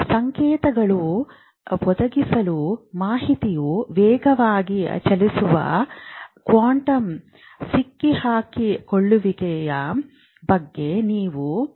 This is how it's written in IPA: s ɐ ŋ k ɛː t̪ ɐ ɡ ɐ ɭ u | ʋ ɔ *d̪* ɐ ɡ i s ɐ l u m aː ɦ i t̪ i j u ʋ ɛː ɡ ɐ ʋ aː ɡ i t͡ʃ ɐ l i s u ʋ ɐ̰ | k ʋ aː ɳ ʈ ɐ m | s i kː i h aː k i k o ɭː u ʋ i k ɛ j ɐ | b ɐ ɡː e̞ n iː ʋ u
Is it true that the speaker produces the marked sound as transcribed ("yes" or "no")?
yes